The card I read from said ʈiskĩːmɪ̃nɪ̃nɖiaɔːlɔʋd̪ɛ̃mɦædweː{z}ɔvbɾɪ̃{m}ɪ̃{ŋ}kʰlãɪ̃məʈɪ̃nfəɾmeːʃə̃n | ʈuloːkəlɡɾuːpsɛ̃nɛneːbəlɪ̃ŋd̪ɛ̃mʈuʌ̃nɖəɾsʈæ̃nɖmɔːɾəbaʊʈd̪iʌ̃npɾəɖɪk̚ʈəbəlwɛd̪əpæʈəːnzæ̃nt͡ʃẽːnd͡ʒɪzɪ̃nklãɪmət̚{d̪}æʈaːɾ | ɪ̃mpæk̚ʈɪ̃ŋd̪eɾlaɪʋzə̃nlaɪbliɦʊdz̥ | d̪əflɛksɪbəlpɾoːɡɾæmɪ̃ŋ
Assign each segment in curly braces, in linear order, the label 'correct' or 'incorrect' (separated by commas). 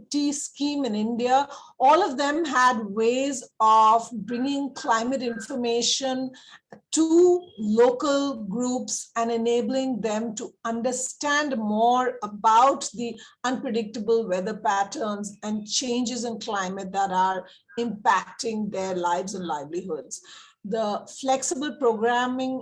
correct, incorrect, correct, correct